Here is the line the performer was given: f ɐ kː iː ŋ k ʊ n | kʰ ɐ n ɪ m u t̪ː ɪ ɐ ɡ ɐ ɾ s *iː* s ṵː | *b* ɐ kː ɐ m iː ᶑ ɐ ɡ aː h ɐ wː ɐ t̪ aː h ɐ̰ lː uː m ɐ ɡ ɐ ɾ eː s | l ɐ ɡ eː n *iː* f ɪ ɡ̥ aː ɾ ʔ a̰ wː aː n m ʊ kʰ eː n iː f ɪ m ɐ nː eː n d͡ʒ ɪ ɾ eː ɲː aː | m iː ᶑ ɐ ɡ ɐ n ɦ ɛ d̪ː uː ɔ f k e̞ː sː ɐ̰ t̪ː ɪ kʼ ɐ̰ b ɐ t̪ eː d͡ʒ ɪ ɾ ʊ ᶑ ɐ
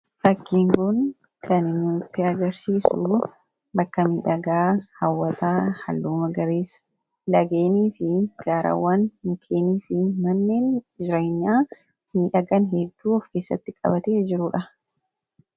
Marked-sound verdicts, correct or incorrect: correct, correct, correct

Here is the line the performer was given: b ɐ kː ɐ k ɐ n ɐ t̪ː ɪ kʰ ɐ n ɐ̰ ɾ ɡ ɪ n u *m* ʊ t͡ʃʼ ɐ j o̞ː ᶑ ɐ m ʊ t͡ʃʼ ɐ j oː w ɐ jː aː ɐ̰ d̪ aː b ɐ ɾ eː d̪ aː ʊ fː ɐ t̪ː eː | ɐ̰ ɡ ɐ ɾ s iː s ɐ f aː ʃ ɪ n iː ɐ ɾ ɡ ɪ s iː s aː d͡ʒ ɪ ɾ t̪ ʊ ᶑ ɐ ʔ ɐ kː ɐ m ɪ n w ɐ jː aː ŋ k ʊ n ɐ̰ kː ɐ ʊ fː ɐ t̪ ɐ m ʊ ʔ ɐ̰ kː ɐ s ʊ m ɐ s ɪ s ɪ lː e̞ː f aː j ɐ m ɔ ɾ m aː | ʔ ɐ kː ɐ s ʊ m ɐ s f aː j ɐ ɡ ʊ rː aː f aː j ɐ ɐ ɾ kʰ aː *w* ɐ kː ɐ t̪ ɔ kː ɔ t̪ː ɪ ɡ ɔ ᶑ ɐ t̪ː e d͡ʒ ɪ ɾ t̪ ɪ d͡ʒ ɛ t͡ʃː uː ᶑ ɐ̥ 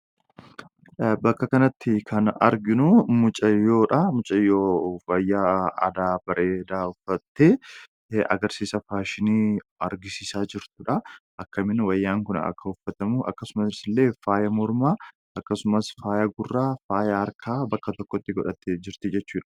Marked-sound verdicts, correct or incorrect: correct, incorrect: b

